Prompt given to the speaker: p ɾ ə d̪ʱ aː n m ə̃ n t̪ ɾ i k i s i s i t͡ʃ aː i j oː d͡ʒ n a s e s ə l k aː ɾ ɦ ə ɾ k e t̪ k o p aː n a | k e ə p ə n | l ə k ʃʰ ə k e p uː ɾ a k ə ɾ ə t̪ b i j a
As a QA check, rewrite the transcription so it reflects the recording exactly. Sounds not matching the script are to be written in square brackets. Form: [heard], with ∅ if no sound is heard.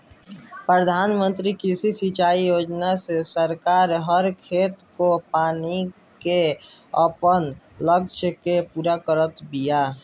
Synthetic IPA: p ɾ ə d̪ʱ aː n m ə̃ n t̪ ɾ i k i s i s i t͡ʃ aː i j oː d͡ʒ n a s e s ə [ɾ] k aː ɾ ɦ ə ɾ [kʰ] e t̪ k o p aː n [i] | k e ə p ə n | l ə k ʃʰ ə k e p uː ɾ a k ə ɾ ə t̪ b i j a